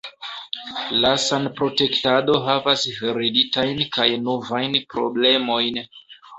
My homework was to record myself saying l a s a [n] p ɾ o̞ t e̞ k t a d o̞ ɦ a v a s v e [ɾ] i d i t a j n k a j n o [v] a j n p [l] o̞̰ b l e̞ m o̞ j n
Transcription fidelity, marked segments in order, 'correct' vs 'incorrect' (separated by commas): correct, correct, correct, incorrect